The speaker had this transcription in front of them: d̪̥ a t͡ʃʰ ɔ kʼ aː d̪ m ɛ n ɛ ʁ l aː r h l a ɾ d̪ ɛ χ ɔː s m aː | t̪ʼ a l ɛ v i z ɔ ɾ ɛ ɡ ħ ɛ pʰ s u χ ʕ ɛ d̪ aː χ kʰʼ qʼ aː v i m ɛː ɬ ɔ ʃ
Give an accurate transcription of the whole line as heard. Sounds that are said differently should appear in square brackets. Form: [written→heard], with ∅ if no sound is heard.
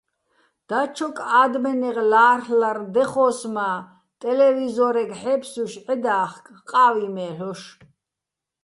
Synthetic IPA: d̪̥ a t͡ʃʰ ɔ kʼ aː d̪ m ɛ n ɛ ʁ l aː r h l a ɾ d̪ ɛ χ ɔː s m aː | t̪ʼ [a→ɛ] l ɛ v i z ɔ ɾ ɛ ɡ ħ ɛ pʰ s u [χ→ʃ] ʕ ɛ d̪ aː χ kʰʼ qʼ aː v i m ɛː ɬ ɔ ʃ